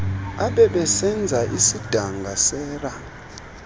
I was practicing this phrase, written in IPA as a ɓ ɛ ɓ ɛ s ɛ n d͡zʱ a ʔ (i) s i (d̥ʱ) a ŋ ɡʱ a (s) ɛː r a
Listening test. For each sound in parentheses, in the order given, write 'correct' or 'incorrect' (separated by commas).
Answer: correct, correct, correct